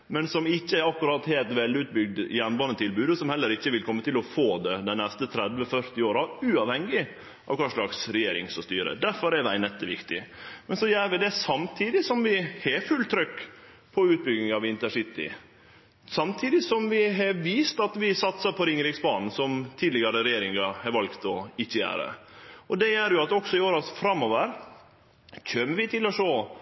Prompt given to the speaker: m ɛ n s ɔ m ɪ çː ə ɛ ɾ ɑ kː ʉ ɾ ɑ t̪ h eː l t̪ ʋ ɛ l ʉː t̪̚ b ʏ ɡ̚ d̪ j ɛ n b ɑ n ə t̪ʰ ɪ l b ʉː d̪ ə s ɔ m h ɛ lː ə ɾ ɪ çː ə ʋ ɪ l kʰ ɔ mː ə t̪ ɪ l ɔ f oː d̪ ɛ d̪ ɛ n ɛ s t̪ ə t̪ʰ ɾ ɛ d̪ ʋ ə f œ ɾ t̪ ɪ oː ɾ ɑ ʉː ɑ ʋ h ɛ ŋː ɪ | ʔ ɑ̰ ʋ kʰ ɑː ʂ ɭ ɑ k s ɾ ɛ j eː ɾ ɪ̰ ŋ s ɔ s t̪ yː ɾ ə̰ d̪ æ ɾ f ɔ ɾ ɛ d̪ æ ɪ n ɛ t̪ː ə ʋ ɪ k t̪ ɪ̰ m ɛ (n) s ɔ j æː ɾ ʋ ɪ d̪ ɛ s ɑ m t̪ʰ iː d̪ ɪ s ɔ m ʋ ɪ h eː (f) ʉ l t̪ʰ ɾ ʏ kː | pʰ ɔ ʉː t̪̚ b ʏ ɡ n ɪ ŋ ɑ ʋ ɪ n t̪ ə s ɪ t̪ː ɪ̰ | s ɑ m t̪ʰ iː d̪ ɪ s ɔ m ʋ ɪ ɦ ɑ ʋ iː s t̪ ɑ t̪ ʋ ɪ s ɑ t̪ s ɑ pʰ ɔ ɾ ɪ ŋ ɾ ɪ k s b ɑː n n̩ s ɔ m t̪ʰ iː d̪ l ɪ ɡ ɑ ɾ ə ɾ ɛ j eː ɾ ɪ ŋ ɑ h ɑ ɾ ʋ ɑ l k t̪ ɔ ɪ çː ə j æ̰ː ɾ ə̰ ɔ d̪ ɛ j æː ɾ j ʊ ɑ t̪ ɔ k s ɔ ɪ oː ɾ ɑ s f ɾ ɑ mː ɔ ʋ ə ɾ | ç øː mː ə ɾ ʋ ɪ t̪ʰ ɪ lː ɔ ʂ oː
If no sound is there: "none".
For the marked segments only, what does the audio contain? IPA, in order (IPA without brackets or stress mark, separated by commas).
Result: n, f